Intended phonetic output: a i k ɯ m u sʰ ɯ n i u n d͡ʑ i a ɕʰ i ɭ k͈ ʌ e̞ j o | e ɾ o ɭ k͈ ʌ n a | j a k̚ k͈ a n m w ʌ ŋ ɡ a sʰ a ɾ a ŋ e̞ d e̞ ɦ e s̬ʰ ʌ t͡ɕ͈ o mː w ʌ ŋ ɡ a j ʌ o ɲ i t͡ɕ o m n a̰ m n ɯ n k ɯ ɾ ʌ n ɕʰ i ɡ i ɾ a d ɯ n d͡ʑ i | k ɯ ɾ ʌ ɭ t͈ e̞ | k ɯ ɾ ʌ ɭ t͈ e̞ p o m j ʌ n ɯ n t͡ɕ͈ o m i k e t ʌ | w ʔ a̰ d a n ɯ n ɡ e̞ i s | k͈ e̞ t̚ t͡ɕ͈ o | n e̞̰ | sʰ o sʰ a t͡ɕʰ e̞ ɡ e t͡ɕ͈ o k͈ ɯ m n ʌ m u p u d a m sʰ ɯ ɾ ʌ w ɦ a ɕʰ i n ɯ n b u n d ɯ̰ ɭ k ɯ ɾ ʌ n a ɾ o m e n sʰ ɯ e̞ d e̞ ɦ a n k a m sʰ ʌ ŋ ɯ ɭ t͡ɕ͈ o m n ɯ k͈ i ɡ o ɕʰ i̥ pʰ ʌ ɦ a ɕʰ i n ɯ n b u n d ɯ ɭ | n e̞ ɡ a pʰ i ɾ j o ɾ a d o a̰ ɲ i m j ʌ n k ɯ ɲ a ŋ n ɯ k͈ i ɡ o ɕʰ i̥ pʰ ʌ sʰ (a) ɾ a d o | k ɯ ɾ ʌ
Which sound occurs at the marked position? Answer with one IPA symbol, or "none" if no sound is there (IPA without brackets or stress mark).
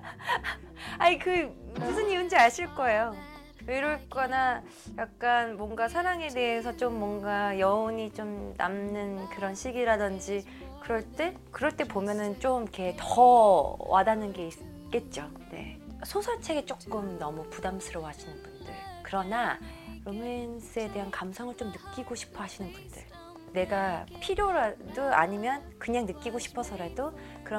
ʌ